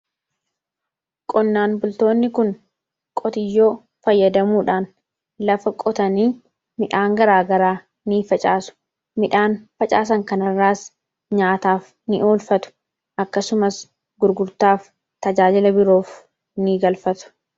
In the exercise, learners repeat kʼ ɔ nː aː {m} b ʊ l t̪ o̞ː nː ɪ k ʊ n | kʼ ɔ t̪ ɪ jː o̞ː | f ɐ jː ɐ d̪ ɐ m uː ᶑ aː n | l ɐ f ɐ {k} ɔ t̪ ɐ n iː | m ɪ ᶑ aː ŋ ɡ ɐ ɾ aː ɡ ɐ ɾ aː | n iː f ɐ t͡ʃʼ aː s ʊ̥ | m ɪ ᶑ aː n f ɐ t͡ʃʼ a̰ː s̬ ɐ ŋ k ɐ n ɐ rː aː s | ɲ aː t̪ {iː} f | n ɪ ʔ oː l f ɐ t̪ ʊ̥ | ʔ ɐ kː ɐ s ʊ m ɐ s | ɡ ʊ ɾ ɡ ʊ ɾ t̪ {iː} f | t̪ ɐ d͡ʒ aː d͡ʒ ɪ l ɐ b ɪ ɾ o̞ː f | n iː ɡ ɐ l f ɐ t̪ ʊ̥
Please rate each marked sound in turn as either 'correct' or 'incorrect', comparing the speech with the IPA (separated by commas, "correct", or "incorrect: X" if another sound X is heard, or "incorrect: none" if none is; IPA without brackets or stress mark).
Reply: incorrect: n, incorrect: kʼ, incorrect: aː, incorrect: aː